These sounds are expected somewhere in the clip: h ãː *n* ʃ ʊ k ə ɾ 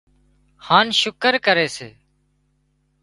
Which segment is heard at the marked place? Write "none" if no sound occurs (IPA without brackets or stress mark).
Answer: n